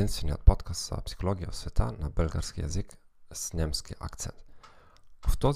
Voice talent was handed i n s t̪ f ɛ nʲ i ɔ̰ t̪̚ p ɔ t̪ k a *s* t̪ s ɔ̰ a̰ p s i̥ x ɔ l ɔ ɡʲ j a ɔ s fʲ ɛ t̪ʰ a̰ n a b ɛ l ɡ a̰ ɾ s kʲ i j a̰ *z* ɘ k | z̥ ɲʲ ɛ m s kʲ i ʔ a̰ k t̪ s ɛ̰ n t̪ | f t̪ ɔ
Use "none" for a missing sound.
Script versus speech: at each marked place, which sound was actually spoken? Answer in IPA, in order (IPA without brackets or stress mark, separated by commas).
s, z